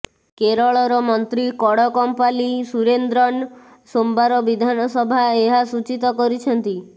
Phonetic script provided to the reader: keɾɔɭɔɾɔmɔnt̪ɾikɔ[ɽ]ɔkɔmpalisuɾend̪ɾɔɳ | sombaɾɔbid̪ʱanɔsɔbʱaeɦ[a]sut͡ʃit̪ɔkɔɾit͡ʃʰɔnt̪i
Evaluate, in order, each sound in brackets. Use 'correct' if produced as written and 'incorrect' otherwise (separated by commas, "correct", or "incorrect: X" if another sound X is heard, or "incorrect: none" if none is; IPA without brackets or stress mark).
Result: correct, correct